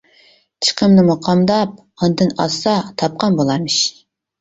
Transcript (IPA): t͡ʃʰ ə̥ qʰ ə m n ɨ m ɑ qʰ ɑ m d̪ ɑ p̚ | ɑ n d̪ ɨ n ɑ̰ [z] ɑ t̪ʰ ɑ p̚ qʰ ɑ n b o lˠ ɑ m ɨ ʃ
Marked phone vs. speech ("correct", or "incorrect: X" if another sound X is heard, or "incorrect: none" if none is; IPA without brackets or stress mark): incorrect: s